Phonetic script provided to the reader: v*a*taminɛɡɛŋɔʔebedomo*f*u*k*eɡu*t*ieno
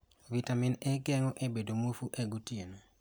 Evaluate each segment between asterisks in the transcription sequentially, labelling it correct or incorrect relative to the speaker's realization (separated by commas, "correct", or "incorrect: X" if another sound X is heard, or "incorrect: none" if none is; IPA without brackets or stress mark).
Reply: incorrect: i, correct, incorrect: ʔ, correct